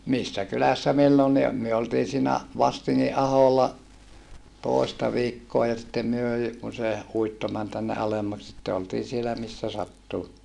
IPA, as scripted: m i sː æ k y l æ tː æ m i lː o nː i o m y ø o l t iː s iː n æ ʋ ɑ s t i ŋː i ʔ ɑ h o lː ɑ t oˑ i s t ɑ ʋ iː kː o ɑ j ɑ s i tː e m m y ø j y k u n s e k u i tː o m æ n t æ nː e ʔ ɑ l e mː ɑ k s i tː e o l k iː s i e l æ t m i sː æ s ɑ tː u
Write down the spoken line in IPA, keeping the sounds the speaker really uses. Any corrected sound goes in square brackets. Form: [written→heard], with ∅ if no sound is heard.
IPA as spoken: m i sː æ k y l æ [tː→sː] æ m i lː o nː i o m y ø o l t iː s iː n æ ʋ ɑ s t i ŋː i ʔ ɑ h o lː ɑ t oˑ i s t ɑ ʋ iː kː o ɑ j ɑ s i tː e m m y ø j y k u n s e [k→∅] u i tː o m æ n t æ nː e ʔ ɑ l e mː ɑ k s i tː e o l [k→t] iː s i e l æ [t→∅] m i sː æ s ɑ tː u